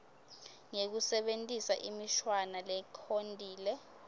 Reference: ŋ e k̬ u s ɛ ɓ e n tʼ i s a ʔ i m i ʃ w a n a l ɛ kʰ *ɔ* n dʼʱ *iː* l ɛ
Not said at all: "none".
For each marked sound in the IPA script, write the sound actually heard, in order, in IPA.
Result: o, iː

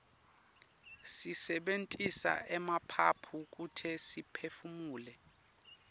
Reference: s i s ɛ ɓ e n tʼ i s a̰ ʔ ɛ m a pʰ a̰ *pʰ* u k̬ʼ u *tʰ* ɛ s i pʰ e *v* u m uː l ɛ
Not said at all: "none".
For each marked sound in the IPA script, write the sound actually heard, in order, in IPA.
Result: pʰ, tʰ, f

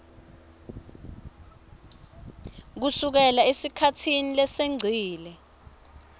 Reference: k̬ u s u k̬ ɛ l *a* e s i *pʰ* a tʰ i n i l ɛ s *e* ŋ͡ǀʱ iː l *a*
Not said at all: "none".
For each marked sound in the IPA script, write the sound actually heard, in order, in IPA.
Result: a, kʰ, e, ɛ

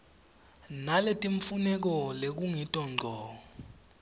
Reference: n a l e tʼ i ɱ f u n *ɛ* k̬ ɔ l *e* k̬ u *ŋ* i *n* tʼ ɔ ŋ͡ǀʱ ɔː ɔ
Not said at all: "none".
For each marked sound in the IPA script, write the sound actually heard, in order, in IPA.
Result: ɛ, e, ŋ, none

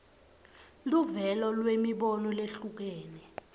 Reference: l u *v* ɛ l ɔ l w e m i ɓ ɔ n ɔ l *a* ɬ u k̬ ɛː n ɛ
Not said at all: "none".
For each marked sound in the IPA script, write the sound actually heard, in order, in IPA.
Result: v, e

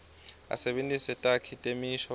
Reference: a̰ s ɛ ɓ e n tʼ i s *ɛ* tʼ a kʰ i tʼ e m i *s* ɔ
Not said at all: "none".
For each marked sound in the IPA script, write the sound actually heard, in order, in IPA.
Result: ɛ, ʃ

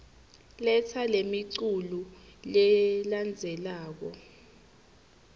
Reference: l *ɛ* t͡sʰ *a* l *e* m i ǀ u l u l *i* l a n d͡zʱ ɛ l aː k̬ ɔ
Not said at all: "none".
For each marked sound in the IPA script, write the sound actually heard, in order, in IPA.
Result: ɛ, a, e, ɛ

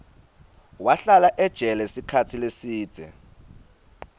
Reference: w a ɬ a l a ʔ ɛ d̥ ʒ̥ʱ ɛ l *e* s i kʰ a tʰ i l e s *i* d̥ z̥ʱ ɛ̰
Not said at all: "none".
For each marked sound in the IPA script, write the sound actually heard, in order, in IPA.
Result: ɛ, iː

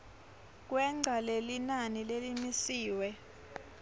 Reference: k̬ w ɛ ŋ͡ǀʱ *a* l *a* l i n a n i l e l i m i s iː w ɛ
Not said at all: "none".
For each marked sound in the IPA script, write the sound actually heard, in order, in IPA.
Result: a, e

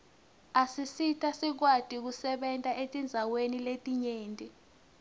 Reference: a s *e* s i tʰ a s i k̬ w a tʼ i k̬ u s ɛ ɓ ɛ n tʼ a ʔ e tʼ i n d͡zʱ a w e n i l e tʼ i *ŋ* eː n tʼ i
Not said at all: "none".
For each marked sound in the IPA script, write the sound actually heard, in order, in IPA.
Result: i, ɲ

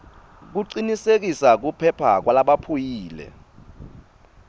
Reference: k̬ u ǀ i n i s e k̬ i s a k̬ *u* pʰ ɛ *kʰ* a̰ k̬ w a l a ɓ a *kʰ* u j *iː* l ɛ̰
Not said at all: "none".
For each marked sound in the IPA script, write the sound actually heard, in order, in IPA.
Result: u, pʰ, pʰ, iː

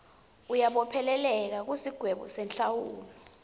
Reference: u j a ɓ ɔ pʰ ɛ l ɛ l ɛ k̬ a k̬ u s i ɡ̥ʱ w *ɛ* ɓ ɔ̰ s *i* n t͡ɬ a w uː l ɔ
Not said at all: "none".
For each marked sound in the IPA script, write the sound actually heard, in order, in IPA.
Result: ɛ, ɛ

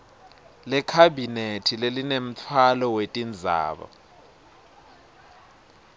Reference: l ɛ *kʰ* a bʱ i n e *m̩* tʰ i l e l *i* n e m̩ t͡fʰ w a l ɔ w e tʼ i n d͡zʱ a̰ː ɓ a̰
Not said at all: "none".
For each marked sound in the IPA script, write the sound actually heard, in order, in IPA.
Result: kʰ, none, i

